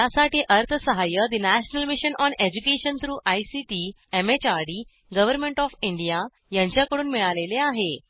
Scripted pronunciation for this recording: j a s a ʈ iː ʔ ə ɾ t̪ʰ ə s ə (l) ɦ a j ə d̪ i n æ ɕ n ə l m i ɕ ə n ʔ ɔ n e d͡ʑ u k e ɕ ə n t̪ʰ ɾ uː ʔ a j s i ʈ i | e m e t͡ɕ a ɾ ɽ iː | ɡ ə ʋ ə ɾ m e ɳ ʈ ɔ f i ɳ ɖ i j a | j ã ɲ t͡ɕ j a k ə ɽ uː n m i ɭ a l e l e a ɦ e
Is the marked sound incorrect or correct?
incorrect